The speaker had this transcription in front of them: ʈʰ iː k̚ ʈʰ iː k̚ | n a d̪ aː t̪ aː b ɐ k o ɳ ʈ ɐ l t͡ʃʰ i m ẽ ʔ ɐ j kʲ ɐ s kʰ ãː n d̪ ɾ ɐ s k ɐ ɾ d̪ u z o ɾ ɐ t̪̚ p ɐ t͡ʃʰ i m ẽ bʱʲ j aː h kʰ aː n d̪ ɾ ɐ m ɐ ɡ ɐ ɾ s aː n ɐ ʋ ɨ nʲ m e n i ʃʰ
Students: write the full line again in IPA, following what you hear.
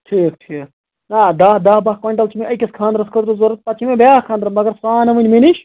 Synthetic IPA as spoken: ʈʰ iː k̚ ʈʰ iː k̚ | n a d̪ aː d̪ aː b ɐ k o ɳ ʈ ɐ l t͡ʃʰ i m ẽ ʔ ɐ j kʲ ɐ s kʰ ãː n d̪ ɾ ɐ s k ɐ ɾ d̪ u z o ɾ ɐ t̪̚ p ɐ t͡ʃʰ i m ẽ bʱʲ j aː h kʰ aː n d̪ ɾ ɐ m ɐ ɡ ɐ ɾ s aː n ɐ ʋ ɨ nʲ m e n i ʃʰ